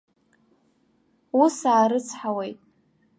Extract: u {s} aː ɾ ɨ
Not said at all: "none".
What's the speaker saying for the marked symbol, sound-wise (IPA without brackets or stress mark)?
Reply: s